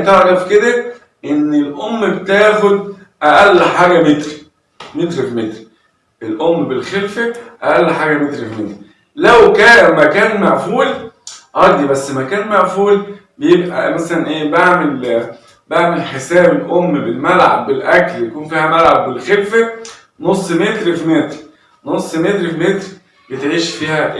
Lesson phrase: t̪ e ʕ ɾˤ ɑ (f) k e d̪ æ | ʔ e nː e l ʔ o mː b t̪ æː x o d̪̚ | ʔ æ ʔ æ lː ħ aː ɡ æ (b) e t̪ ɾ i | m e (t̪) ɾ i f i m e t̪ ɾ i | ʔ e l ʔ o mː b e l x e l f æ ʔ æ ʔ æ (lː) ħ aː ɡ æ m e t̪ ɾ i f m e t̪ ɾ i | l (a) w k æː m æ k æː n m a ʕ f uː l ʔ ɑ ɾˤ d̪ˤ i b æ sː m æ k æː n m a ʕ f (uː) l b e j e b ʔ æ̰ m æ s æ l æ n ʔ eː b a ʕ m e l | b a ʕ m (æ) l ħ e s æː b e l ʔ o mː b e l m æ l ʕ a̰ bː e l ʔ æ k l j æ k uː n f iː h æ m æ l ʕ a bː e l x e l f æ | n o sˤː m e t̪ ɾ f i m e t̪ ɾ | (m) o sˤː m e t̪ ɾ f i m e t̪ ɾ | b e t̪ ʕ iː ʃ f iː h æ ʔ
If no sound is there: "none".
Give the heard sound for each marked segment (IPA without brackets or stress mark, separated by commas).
f, m, t̪, lː, æ, uː, e, n